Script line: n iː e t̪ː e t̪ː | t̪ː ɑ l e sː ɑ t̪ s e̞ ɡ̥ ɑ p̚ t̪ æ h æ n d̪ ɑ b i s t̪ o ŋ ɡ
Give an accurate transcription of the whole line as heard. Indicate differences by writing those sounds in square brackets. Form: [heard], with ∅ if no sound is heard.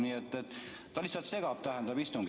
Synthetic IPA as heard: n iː e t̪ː e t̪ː | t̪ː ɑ l [i] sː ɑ t̪ s e̞ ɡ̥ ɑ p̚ t̪ æ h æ n d̪ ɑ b i s t̪ [u] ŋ ɡ